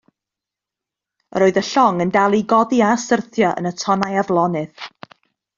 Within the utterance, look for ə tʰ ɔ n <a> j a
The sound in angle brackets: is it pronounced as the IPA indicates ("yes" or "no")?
yes